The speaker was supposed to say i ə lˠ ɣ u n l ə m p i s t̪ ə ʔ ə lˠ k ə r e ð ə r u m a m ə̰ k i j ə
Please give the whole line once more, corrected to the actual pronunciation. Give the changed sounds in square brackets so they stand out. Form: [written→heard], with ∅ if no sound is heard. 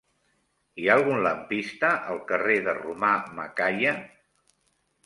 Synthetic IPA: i [ə→a] lˠ ɣ u n l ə m p i s t̪ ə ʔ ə lˠ k ə r e ð ə r u m a m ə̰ k [i→a] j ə